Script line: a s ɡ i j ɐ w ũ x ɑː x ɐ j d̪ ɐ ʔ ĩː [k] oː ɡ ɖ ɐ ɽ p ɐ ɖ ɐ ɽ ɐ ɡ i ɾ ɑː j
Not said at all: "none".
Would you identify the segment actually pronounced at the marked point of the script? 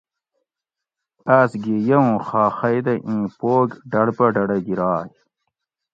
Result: p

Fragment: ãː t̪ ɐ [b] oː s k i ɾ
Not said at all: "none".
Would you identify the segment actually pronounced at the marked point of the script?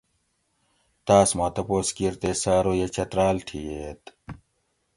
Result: p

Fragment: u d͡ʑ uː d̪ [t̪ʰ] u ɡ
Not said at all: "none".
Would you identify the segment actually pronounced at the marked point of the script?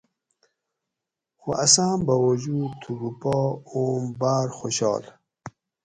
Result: t̪ʰ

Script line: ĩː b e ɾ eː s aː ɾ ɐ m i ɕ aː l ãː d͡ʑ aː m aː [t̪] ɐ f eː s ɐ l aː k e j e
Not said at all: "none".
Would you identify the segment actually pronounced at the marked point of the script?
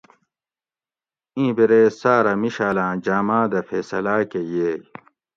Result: d̪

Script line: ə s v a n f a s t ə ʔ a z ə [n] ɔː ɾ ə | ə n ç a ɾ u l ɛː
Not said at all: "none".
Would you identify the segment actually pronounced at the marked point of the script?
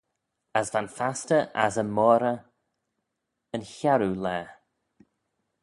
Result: m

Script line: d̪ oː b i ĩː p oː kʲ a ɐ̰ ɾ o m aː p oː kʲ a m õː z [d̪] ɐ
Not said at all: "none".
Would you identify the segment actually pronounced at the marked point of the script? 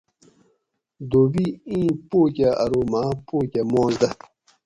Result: d̪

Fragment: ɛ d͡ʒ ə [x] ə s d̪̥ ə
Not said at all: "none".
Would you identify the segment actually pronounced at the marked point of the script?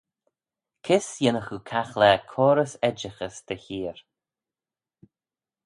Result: x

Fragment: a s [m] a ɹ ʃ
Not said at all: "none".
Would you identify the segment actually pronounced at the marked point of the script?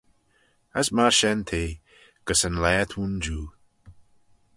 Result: m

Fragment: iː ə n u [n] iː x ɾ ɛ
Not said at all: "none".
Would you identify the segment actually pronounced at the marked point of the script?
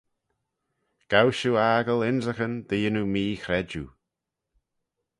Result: m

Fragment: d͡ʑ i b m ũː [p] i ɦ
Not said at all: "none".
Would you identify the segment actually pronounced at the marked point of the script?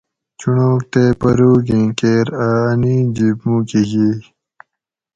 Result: k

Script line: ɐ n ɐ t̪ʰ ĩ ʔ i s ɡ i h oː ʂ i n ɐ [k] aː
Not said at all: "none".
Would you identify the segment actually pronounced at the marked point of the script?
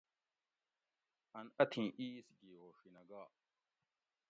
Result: ɡ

